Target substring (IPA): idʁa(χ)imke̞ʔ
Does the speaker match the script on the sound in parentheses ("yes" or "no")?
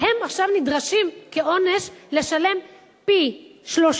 no